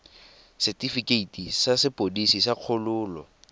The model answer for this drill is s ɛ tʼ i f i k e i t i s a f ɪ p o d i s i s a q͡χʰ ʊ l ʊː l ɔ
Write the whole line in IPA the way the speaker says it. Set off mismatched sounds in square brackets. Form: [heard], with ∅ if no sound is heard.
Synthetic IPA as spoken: s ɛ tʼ i f i k e i t i s a [s] ɪ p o d i s i s a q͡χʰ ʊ l ʊː l ɔ